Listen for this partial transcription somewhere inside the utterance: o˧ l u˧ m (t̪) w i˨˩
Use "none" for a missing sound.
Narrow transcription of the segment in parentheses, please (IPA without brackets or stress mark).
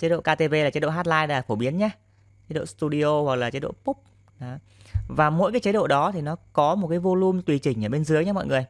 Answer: t̪